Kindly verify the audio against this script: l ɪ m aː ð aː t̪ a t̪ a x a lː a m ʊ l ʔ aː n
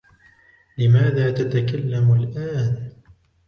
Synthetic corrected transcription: l ɪ m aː ð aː t̪ a t̪ a k a lː a m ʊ l ʔ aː n